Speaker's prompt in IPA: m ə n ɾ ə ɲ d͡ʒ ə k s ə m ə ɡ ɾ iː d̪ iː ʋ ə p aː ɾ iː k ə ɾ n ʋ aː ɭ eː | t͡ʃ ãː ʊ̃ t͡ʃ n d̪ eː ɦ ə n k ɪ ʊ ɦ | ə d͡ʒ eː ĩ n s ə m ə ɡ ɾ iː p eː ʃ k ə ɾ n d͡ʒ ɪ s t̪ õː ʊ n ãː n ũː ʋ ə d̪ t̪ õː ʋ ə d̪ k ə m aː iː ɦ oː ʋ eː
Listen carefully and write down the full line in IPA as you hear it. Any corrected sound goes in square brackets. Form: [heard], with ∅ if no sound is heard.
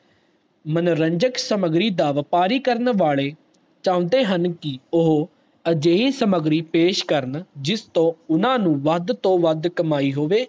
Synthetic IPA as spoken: m ə n ɾ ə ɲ d͡ʒ ə k s ə m ə ɡ ɾ iː d̪ [aː] ʋ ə p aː ɾ iː k ə ɾ n ʋ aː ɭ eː | t͡ʃ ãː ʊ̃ [∅] n d̪ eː ɦ ə n k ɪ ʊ ɦ | ə d͡ʒ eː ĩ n s ə m ə ɡ ɾ iː p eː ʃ k ə ɾ n d͡ʒ ɪ s t̪ õː ʊ n ãː n ũː ʋ ə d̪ t̪ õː ʋ ə d̪ k ə m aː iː ɦ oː ʋ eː

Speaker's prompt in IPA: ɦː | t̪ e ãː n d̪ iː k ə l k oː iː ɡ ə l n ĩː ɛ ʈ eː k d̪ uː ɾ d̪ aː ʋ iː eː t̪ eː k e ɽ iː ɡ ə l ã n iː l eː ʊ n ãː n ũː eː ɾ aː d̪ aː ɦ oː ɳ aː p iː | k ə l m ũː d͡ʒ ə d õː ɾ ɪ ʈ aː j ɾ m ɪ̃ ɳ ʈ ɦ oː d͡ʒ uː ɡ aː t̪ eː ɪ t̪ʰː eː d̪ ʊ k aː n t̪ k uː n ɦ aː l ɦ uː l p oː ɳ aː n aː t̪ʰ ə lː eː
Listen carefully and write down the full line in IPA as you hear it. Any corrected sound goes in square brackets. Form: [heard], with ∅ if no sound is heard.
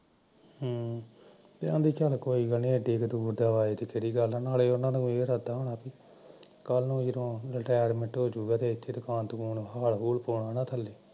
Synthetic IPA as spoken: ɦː | t̪ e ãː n d̪ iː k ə l k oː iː ɡ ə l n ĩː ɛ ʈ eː k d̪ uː ɾ d̪ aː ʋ [aː] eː t̪ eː k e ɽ iː ɡ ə l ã n [aː] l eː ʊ n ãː n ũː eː ɾ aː d̪ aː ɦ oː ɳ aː p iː | k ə l [n] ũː d͡ʒ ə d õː ɾ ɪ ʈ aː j ɾ m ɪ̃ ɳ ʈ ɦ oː d͡ʒ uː ɡ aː t̪ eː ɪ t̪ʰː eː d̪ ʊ k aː n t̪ k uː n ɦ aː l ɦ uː l p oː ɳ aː n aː t̪ʰ ə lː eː

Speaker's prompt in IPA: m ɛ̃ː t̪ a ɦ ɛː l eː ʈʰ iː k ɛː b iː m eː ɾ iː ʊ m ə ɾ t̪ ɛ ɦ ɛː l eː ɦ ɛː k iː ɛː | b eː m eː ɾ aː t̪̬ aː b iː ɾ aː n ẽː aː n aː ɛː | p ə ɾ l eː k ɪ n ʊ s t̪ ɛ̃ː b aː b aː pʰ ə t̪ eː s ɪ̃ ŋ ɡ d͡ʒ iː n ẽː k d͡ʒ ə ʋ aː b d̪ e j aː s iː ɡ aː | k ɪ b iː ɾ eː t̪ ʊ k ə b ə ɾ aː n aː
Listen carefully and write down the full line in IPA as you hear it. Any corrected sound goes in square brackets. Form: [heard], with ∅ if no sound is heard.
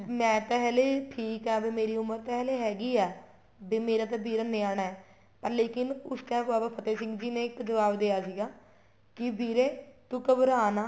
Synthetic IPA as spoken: m ɛ̃ː t̪ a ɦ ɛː l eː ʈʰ iː k ɛː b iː m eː ɾ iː ʊ m ə ɾ t̪ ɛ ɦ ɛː l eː ɦ ɛː [ɡ] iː ɛː | b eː m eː ɾ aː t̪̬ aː b iː ɾ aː n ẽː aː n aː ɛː | p ə ɾ l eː k ɪ n ʊ s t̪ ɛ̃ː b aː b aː pʰ ə t̪ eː s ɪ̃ ŋ ɡ d͡ʒ iː n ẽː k d͡ʒ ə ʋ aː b d̪ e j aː s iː ɡ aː | k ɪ b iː ɾ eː t̪ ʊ k ə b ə ɾ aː n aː

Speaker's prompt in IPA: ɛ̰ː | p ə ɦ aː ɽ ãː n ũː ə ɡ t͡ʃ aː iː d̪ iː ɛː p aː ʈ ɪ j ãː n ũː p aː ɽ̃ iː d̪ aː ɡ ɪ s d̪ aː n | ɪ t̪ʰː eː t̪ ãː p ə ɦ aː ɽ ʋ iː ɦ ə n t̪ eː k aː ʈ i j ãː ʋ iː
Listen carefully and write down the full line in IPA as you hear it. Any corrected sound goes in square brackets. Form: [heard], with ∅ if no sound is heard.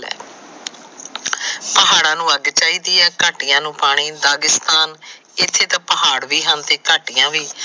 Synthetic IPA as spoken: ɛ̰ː | p ə ɦ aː ɽ ãː n ũː ə ɡ t͡ʃ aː iː d̪ iː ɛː [k] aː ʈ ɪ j ãː n ũː p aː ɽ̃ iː d̪ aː ɡ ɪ s [t̪] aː n | ɪ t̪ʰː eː t̪ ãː p ə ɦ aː ɽ ʋ iː ɦ ə n t̪ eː k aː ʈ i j ãː ʋ iː

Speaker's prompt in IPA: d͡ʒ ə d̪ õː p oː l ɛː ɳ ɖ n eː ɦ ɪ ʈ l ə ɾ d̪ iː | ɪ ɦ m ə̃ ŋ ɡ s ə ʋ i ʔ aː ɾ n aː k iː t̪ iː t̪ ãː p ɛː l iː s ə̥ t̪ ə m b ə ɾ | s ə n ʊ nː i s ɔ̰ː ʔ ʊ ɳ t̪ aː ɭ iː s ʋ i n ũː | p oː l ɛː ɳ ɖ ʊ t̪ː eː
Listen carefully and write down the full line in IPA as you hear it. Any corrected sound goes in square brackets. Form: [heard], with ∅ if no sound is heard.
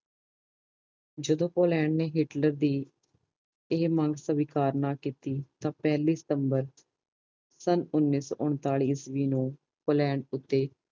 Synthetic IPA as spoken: d͡ʒ ə d̪ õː p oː l ɛː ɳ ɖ n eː ɦ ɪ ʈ l ə ɾ d̪ iː | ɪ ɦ m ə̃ ŋ ɡ s ə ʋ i [k] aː ɾ n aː k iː t̪ iː t̪ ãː p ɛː l iː s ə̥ t̪ ə m b ə ɾ | s ə n ʊ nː [iː] s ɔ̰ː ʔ ʊ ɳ t̪ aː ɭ iː s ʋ [iː] n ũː | p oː l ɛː ɳ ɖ ʊ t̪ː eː

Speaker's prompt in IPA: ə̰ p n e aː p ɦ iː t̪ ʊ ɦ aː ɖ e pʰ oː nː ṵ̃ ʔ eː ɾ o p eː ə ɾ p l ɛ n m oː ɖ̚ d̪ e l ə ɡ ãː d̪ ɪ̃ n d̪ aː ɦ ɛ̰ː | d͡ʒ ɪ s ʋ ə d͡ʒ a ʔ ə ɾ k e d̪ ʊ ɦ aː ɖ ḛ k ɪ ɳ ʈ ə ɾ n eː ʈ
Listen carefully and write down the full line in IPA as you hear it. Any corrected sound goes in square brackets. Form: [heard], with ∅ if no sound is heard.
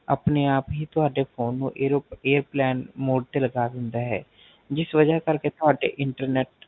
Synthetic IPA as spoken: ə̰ p n e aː p ɦ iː t̪ ʊ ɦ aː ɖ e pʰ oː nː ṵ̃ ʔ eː ɾ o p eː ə ɾ p l [ɛː] n m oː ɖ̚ [t̪] e l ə ɡ [aː] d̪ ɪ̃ n d̪ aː ɦ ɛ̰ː | d͡ʒ ɪ s ʋ ə d͡ʒ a [k] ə ɾ k e [t̪] ʊ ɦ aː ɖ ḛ [ʔ] ɪ ɳ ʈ ə ɾ n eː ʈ

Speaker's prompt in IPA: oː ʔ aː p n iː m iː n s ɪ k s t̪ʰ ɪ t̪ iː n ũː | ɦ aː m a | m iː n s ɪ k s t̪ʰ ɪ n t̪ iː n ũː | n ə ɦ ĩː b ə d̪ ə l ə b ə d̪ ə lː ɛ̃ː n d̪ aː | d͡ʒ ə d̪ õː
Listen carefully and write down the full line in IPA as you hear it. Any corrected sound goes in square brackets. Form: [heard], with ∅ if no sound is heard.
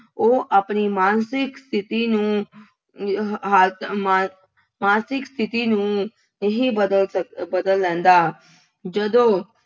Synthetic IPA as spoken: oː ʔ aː p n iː m [aː] n s ɪ k s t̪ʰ ɪ t̪ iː n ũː | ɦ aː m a | m [aː] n s ɪ k s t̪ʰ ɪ [∅] t̪ iː n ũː | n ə ɦ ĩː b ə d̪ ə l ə b ə d̪ ə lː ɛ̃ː n d̪ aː | d͡ʒ ə d̪ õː

